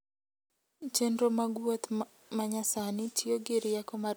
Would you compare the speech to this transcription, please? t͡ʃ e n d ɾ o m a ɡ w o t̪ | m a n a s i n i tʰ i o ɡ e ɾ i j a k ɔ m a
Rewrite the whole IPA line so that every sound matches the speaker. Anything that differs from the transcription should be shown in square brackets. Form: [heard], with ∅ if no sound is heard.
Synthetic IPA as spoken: t͡ʃ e n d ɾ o m a ɡ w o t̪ | m a [ɲ] a s [a] n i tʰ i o ɡ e ɾ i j a k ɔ m a